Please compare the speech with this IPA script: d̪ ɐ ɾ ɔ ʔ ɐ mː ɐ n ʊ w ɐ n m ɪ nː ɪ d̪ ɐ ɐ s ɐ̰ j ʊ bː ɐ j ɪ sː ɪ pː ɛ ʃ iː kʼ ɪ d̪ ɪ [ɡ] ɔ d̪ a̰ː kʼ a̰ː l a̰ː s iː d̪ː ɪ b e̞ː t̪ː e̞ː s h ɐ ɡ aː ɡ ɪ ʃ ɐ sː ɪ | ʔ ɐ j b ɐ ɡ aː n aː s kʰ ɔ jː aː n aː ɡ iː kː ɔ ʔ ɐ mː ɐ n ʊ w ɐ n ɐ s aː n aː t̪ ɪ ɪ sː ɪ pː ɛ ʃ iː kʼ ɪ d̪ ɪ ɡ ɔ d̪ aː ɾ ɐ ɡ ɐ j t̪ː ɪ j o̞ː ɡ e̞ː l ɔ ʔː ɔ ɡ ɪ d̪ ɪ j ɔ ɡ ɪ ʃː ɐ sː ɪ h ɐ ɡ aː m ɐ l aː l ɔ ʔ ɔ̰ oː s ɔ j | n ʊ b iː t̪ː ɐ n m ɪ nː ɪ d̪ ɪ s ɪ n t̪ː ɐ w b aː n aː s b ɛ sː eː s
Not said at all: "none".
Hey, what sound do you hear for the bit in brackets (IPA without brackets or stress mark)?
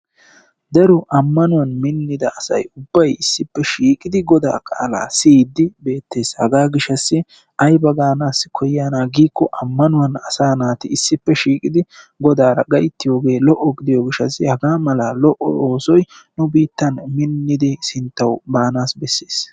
ɡ